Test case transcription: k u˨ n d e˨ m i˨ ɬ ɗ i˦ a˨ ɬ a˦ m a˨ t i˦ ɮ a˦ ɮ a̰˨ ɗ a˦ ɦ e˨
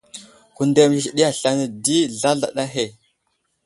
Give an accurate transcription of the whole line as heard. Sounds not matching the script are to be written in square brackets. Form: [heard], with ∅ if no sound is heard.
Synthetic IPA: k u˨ n d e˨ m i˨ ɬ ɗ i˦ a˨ ɬ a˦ [n] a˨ [d] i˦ ɮ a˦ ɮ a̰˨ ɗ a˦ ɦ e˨